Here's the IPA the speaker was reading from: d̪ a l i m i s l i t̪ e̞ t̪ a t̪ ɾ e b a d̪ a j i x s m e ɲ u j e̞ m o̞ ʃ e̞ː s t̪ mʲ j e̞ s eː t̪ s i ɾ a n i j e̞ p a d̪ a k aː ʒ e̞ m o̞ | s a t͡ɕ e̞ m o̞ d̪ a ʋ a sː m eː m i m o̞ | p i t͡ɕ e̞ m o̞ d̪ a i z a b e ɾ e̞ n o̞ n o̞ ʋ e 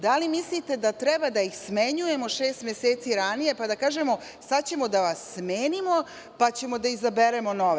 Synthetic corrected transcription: d̪ a l i m i s l i t̪ e̞ d̪ a t̪ ɾ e b a d̪ a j i x s m e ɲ u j e̞ m o̞ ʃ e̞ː s t̪ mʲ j e̞ s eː t̪ s i ɾ a n i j e̞ p a d̪ a k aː ʒ e̞ m o̞ | s a t͡ɕ e̞ m o̞ d̪ a ʋ a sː m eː n i m o̞ | p a t͡ɕ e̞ m o̞ d̪ a i z a b e ɾ e̞ m o̞ n o̞ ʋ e